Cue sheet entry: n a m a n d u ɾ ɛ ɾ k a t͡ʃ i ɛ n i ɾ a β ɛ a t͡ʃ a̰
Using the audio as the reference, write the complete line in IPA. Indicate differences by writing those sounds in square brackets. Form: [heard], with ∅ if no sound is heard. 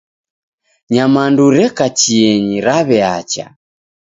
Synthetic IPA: [ɲ] a m a n d u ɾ ɛ [∅] k a t͡ʃ i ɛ [ɲ] i ɾ a β ɛ a t͡ʃ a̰